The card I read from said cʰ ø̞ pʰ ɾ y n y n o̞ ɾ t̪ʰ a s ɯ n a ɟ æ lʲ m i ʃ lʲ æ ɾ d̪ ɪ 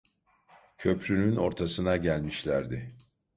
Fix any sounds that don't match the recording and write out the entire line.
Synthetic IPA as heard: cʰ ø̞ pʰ ɾ y n y n o̞ ɾ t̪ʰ a s ɯ n a ɟ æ lʲ m i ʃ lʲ æ ɾ d̪ ɪ